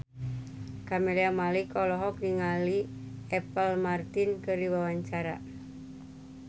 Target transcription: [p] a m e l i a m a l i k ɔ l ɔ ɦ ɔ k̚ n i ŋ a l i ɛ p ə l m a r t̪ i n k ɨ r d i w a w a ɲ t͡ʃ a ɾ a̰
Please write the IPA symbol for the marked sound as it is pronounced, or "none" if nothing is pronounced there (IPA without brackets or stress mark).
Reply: k